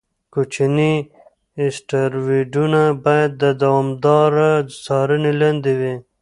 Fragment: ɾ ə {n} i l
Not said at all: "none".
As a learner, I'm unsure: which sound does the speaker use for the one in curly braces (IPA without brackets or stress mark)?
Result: n